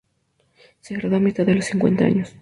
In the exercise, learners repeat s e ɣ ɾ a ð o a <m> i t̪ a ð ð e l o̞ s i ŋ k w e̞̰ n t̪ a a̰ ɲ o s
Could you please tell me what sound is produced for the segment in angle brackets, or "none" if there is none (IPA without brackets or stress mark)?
m